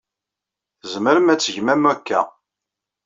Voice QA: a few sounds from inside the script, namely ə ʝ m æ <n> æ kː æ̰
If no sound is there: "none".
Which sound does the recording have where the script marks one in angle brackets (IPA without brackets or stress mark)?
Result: m